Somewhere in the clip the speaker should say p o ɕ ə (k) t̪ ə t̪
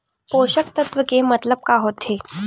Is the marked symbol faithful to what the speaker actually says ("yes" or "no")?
yes